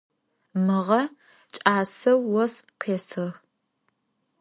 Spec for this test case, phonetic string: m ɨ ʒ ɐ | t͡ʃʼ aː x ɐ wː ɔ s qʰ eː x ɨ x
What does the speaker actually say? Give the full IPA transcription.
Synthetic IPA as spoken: m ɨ ʁ ɐ | t͡ʃʼ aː s ɐ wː ɔ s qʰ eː s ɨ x